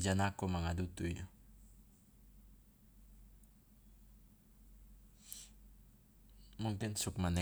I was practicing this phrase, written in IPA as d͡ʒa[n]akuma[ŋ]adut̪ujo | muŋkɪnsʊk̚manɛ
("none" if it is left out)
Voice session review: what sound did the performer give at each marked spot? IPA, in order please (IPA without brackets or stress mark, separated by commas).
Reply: n, ŋ